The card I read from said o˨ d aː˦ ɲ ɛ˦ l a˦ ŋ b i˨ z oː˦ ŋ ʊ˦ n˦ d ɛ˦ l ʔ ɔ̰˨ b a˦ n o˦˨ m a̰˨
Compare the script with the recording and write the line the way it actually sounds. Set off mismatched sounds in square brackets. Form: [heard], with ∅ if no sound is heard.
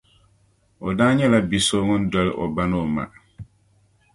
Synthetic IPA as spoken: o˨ d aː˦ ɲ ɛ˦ l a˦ [∅] b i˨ [s] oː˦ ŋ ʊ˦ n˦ d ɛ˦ l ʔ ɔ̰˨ b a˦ n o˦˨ m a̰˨